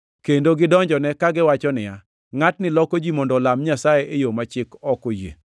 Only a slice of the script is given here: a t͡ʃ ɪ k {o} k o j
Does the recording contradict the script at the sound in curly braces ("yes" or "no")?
yes